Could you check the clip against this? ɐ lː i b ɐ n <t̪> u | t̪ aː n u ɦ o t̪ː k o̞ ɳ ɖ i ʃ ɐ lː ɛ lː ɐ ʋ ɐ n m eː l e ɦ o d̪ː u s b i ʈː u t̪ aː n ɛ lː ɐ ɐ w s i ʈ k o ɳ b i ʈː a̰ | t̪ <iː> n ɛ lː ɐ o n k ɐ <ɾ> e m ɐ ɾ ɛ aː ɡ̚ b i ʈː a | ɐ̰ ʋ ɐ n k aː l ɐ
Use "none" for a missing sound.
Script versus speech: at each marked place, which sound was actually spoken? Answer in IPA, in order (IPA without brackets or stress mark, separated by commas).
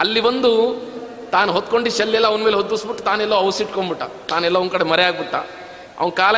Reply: d̪, aː, ɽ